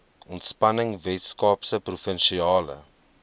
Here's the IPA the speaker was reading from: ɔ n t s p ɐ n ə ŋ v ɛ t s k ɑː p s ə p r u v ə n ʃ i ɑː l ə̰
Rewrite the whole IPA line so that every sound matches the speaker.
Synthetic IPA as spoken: ɔ n t s p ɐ n ə ŋ v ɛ t s k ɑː p s ə p r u f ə n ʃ i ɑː l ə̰